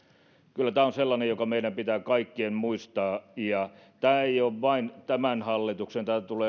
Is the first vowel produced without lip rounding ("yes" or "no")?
no